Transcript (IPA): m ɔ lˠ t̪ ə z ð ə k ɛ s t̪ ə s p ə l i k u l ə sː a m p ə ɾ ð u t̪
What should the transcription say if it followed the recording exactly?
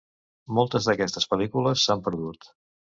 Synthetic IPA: m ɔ lˠ t̪ ə z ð ə k ɛ s t̪ ə s p ə l i k u l ə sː a m p ə ɾ ð u t̪